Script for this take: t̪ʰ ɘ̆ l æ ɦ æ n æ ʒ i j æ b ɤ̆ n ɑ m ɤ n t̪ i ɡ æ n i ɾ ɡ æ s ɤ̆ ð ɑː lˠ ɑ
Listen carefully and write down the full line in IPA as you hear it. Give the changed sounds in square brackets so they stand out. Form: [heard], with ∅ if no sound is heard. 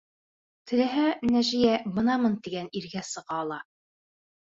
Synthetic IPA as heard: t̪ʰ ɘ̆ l æ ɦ æ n æ ʒ i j æ b ɤ̆ n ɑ m ɤ n t̪ i ɡ æ n i ɾ ɡ æ s ɤ̆ [ʁ] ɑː lˠ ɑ